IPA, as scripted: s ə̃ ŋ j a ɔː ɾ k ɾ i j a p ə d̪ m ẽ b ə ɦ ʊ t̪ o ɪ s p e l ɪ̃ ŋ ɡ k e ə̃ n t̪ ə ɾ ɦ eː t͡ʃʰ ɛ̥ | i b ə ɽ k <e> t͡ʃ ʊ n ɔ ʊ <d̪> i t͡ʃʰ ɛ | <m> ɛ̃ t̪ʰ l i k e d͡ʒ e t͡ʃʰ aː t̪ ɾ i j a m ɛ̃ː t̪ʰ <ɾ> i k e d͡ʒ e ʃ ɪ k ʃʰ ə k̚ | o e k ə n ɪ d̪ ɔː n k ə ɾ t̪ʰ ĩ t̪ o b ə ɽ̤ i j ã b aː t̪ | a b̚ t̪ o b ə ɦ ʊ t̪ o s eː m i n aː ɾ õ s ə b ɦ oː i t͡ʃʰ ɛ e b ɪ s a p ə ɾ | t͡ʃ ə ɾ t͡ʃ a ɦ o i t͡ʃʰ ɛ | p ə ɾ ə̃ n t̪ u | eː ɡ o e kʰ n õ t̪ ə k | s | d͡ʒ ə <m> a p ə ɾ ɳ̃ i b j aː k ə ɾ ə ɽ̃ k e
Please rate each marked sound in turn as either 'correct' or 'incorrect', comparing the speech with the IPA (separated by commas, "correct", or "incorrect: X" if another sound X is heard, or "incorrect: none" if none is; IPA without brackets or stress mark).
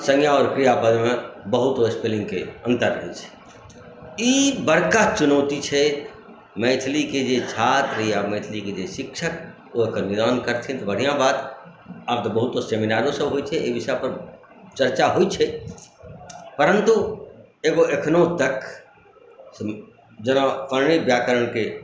incorrect: a, incorrect: t̪, correct, incorrect: l, incorrect: n